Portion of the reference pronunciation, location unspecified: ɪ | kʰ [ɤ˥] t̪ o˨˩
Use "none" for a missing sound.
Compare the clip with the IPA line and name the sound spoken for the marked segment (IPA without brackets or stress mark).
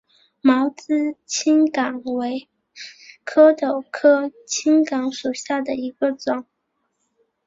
ɤ˥